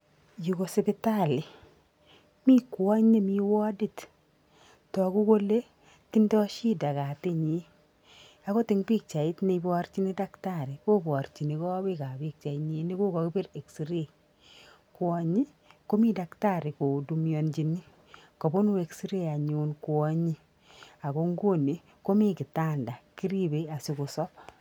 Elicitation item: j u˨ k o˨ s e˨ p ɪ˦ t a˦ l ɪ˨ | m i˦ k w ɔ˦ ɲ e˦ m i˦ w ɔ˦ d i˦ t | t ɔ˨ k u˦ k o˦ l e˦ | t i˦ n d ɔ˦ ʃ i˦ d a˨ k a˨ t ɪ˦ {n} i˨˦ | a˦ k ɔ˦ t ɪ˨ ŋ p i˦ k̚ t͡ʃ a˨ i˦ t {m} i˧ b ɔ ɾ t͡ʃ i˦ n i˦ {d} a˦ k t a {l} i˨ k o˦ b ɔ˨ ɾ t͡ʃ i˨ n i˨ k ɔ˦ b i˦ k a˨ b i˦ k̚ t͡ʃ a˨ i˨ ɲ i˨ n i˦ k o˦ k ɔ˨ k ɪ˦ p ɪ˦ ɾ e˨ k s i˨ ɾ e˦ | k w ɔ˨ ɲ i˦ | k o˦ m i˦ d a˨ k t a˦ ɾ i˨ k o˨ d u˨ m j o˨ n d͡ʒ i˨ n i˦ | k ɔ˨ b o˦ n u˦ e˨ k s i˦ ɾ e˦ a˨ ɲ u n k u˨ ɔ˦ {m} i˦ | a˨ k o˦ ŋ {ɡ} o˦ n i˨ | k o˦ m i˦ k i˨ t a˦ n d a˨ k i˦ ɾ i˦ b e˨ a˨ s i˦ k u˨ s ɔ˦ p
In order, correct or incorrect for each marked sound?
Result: incorrect, incorrect, correct, incorrect, incorrect, correct

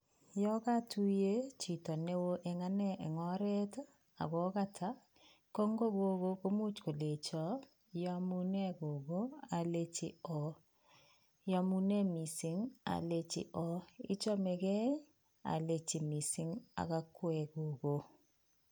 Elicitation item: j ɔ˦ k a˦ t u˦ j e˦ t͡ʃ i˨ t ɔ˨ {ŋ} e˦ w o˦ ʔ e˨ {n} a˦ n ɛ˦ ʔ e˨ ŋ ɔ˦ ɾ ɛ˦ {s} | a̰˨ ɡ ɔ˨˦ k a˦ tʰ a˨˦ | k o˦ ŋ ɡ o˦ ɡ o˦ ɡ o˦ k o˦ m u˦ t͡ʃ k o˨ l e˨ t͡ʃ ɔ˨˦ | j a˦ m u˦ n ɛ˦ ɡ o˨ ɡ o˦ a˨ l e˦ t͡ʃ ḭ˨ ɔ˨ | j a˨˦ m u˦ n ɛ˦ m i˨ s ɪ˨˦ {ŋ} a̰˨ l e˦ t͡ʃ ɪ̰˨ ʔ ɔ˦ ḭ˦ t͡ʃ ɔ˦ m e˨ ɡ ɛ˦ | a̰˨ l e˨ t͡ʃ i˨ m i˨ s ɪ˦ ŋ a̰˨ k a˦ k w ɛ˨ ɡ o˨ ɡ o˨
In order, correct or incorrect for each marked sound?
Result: incorrect, incorrect, incorrect, correct

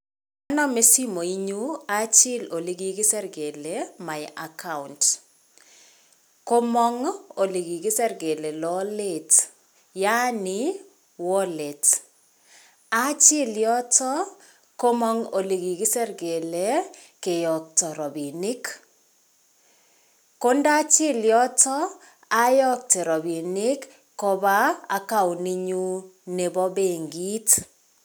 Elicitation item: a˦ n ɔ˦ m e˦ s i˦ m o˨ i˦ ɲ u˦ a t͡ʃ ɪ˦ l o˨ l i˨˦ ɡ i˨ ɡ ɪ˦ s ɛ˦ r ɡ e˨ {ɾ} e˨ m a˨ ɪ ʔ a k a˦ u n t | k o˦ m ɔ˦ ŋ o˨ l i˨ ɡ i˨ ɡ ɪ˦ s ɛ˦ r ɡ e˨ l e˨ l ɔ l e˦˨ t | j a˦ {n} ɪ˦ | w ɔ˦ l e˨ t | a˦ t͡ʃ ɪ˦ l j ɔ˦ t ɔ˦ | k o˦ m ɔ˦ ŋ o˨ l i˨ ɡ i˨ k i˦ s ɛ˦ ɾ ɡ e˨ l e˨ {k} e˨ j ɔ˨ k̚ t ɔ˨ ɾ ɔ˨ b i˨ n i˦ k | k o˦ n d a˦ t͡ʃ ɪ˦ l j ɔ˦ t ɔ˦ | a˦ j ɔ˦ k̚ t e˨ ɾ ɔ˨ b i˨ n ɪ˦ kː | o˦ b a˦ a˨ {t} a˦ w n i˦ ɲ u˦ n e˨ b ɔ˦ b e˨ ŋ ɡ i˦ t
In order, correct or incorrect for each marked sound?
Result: incorrect, correct, correct, incorrect

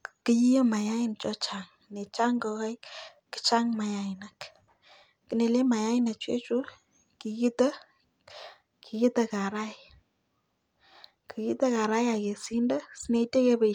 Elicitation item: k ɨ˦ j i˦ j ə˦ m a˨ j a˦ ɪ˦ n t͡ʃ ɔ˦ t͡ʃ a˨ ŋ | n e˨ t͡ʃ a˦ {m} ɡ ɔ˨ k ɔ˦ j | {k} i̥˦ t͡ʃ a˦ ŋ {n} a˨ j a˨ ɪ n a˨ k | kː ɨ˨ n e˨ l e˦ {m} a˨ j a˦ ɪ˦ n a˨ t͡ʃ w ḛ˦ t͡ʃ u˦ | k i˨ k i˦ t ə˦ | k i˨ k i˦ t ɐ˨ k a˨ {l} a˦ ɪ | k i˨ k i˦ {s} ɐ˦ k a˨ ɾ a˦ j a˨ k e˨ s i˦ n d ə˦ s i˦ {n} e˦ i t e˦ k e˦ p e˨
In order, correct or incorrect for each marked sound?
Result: incorrect, correct, incorrect, correct, incorrect, incorrect, correct

